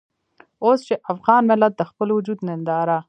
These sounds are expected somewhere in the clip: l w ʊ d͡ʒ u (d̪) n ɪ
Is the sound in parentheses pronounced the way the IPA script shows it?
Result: yes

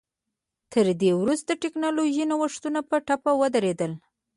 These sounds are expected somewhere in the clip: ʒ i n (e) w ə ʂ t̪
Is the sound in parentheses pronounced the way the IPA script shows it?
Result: no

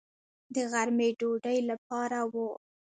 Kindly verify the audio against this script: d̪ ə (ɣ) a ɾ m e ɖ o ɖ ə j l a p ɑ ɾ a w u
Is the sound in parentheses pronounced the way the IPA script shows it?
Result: yes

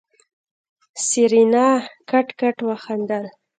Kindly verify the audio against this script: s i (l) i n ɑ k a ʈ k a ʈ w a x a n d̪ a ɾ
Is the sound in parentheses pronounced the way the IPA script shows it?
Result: no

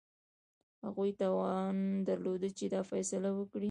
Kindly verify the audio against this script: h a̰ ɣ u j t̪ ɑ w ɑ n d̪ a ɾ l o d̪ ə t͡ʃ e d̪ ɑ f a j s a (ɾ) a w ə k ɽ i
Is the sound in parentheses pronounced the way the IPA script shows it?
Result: no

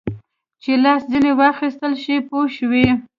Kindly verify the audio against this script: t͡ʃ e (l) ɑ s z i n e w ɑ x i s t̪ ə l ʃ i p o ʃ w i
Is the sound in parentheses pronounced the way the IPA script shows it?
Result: yes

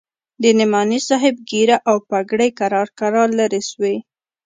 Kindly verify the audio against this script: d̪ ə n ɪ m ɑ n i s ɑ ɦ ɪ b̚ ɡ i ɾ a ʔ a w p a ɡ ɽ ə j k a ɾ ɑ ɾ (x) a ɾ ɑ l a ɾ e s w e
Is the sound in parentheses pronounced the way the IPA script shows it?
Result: no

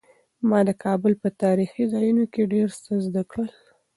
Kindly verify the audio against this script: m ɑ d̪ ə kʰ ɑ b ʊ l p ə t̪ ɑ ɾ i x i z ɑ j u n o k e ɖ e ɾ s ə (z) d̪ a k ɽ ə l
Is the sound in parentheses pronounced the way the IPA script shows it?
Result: yes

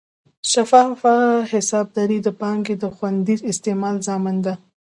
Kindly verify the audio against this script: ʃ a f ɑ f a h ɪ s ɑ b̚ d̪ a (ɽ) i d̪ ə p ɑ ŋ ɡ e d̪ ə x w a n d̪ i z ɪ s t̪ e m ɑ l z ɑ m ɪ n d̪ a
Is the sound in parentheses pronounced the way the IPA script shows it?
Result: no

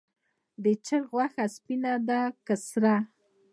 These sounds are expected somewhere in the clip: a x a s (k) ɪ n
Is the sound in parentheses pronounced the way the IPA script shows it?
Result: no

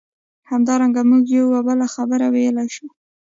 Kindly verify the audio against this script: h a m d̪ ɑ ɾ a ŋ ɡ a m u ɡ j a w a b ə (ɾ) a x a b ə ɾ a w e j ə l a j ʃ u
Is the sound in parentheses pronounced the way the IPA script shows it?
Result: no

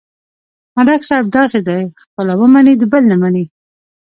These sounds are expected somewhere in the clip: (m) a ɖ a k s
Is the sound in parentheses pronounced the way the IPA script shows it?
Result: yes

